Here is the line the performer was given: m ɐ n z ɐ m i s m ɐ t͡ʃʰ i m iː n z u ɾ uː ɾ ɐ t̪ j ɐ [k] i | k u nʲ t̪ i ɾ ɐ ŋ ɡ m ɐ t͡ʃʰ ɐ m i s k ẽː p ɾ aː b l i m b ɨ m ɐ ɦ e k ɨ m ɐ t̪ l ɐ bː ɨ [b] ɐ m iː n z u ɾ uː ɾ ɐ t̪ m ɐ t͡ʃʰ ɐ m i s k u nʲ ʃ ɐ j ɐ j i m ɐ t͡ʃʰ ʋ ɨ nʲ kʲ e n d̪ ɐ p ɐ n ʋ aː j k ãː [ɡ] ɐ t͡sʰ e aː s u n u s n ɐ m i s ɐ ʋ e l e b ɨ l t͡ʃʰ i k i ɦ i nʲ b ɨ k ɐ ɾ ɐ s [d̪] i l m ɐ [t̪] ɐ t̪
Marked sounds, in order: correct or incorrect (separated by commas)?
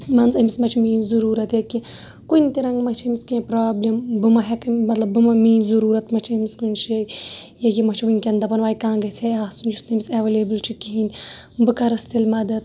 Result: correct, incorrect, correct, incorrect, incorrect